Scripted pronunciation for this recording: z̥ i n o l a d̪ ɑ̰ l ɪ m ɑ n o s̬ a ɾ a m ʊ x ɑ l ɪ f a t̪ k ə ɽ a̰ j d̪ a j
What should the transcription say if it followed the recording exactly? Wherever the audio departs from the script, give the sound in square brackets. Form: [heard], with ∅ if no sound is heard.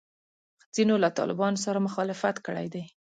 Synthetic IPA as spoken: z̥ i n o l a [t̪] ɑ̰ l ɪ [b] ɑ n o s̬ a ɾ a m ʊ x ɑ l ɪ f a t̪ k ə ɽ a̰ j d̪ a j